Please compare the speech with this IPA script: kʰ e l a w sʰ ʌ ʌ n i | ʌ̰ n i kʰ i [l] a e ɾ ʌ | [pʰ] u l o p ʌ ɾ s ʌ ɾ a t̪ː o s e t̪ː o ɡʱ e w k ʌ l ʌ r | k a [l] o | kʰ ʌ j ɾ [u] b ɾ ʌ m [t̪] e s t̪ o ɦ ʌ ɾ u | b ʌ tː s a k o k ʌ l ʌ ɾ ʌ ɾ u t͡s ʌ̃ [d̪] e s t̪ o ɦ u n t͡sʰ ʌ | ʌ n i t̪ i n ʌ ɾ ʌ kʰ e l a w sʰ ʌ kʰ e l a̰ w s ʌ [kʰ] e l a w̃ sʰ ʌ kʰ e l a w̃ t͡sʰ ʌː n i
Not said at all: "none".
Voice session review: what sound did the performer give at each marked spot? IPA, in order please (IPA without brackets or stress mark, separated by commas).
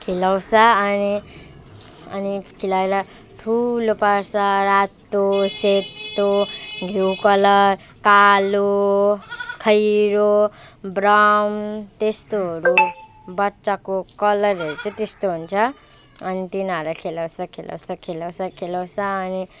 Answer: l, ʈʰ, l, o, t̪, t̪, kʰ